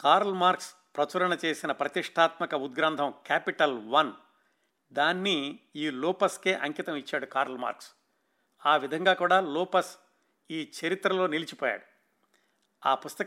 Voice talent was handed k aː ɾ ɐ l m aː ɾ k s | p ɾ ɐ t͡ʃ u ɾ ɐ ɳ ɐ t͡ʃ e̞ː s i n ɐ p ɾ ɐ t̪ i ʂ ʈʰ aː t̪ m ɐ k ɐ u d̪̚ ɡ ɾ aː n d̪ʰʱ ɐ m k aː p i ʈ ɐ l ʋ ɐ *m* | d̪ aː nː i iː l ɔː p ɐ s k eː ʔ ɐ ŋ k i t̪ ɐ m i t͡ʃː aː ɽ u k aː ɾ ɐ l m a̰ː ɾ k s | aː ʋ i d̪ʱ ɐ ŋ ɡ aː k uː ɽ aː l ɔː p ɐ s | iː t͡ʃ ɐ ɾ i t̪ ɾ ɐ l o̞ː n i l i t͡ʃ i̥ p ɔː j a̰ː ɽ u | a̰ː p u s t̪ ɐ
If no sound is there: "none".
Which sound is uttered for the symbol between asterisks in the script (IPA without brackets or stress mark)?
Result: n